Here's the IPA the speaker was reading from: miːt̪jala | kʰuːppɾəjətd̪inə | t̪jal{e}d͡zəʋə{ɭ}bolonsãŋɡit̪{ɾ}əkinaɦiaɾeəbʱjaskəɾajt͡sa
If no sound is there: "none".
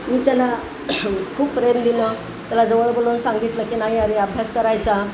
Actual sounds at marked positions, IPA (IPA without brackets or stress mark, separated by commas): a, ɭ, l